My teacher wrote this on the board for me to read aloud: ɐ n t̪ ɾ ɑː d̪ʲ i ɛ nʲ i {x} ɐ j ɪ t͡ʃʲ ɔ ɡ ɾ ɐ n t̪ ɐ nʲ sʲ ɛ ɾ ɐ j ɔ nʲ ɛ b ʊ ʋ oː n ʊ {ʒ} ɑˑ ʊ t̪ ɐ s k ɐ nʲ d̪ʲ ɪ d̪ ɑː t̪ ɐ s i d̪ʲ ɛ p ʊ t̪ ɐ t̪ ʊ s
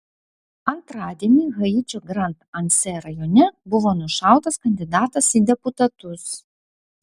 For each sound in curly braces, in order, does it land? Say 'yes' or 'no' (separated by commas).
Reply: no, no